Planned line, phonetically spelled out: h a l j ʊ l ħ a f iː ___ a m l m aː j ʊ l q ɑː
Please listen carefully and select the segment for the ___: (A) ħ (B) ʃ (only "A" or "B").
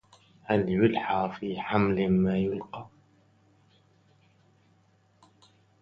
A